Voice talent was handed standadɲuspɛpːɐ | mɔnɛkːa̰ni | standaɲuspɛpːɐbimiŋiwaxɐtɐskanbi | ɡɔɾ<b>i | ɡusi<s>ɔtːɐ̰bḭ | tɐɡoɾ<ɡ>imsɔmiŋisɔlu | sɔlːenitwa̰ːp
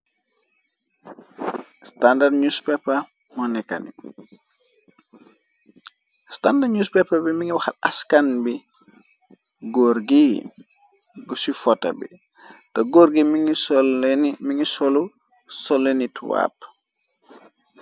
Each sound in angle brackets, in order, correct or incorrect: incorrect: ɡ, incorrect: f, correct

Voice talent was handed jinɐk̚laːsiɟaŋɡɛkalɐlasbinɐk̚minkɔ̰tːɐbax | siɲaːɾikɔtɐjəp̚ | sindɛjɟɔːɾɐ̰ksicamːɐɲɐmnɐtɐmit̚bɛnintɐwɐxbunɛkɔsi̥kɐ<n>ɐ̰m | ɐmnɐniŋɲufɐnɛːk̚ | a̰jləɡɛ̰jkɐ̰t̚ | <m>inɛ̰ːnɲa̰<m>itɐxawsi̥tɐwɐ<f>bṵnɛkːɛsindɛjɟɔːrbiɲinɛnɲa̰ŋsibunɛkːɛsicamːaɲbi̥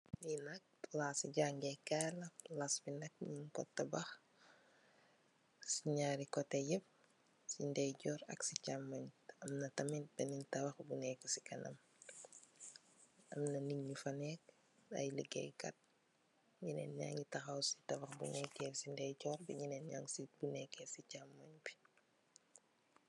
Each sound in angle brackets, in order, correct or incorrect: correct, incorrect: ɲ, incorrect: ŋ, incorrect: x

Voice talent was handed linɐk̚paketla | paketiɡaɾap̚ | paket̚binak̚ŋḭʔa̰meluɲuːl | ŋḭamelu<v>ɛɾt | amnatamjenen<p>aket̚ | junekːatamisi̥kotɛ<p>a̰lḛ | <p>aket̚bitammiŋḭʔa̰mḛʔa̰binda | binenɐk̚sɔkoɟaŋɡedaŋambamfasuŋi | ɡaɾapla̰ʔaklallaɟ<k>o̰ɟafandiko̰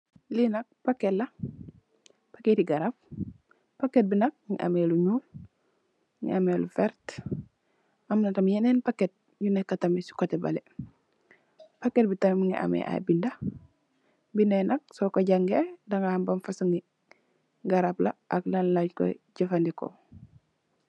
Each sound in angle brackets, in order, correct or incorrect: incorrect: f, correct, incorrect: b, correct, correct

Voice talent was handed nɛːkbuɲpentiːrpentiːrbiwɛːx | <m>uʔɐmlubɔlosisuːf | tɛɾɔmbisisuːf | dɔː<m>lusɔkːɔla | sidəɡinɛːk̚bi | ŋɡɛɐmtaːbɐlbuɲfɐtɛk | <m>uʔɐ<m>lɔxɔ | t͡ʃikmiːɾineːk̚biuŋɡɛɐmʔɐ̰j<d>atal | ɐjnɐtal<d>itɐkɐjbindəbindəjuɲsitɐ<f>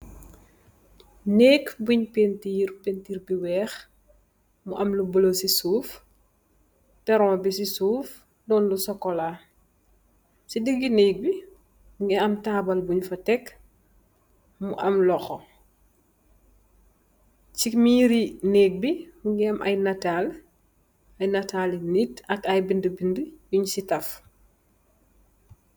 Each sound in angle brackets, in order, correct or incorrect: correct, incorrect: n, correct, correct, incorrect: n, incorrect: n, correct

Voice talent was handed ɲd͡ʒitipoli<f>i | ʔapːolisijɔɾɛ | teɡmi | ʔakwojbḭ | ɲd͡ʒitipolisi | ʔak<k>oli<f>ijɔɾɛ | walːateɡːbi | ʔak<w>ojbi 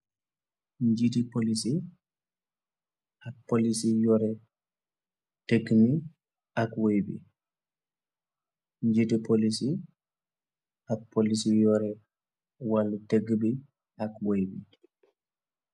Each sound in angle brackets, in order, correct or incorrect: incorrect: s, incorrect: p, incorrect: s, correct

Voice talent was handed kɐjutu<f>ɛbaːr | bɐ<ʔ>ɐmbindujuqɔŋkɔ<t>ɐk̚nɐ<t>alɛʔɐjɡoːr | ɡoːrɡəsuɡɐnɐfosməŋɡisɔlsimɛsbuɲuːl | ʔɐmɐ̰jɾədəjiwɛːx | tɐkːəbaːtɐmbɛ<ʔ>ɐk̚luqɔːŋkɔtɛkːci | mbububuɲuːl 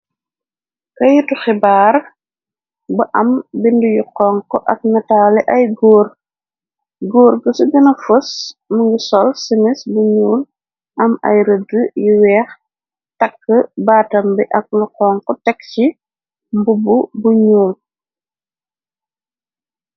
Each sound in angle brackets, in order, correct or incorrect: incorrect: x, correct, incorrect: ʔ, correct, correct

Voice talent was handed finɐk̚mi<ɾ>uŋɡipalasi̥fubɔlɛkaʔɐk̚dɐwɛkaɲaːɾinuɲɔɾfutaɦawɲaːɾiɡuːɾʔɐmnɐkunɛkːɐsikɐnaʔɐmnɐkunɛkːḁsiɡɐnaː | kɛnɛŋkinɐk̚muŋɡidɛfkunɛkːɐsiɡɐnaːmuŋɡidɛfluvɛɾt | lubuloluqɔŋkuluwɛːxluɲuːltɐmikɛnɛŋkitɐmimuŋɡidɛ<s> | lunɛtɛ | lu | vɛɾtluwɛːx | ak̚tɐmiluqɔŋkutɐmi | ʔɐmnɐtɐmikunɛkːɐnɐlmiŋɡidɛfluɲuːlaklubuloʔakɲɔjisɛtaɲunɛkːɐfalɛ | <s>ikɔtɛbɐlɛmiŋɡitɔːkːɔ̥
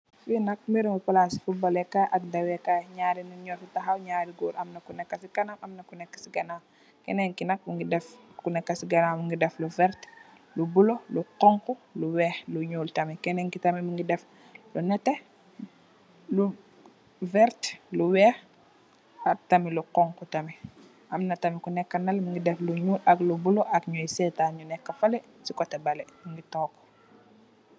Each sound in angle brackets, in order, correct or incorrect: correct, incorrect: f, correct

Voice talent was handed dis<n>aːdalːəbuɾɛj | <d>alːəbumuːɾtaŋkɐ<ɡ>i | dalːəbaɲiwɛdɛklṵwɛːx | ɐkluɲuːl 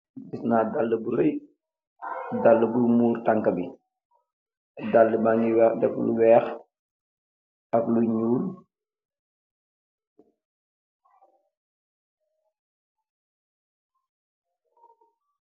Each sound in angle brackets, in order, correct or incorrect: correct, correct, incorrect: b

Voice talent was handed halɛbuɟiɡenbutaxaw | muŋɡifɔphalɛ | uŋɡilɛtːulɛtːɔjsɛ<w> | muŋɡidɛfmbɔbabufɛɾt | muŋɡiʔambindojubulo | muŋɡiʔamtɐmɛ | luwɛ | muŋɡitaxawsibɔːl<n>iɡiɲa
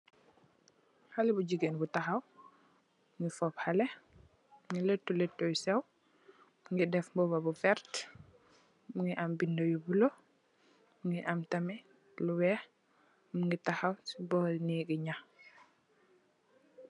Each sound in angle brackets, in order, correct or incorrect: correct, correct

